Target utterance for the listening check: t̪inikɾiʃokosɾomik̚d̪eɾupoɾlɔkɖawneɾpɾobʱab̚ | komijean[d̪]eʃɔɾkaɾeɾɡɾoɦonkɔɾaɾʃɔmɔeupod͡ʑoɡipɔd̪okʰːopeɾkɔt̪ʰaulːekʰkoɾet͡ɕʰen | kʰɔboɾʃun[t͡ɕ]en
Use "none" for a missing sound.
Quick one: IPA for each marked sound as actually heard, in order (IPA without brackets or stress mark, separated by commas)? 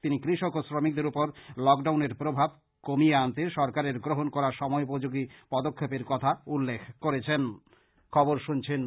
t̪, t͡ɕʰ